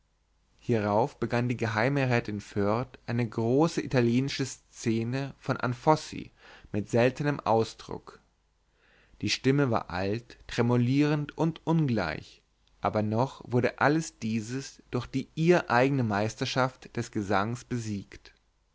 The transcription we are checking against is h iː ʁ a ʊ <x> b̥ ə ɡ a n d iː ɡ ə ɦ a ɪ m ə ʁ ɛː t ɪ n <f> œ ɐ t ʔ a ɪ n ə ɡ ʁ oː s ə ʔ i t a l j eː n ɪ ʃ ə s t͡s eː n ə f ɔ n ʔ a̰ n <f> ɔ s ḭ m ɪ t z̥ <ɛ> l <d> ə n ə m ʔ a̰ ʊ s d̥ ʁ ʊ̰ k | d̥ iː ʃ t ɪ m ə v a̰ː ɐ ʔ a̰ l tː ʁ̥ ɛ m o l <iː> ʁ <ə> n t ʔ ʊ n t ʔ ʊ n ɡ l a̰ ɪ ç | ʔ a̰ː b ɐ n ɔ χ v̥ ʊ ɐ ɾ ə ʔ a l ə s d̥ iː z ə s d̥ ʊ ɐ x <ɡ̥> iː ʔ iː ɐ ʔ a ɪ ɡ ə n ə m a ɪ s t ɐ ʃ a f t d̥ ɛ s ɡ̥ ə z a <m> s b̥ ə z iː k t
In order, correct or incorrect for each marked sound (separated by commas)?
incorrect, correct, correct, correct, incorrect, correct, correct, incorrect, incorrect